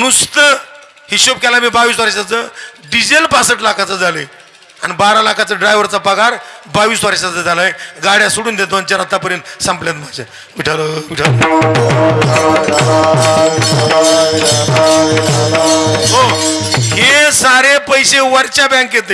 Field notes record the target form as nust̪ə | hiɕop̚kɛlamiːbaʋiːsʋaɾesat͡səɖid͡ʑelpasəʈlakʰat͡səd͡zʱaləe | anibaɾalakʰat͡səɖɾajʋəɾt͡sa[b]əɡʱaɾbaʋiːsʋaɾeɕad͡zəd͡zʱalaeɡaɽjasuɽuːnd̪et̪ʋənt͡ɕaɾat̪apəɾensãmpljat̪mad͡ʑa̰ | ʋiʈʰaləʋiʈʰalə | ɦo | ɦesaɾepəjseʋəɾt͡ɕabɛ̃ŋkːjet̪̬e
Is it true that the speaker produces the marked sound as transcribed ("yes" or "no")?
no